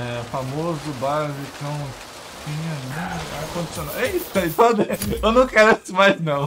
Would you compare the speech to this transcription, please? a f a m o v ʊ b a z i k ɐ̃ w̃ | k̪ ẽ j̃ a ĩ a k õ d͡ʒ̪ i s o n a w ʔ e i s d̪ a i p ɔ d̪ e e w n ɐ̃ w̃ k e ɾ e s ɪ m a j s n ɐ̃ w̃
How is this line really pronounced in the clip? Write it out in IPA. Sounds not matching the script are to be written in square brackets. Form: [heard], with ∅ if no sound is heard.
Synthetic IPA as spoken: [ɛ] f a m o [z] ʊ b a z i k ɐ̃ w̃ | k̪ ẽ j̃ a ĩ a k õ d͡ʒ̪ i s o n a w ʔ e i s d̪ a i p ɔ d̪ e e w n ɐ̃ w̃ k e ɾ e s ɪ m a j [z] n ɐ̃ w̃

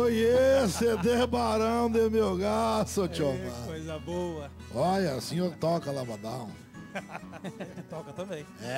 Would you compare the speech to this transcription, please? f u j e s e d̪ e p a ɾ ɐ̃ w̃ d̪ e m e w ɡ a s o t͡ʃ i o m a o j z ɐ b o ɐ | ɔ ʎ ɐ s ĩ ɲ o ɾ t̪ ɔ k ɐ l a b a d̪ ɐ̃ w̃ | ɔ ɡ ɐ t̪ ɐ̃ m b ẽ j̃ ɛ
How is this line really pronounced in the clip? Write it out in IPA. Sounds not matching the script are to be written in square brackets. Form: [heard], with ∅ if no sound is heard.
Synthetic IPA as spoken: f [o] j e s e d̪ e [b] a ɾ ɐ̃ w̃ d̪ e m e w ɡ a s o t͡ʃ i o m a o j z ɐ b o ɐ | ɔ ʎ ɐ s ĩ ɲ o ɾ t̪ ɔ k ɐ l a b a d̪ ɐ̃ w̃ | ɔ [k] ɐ t̪ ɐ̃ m b ẽ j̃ ɛ

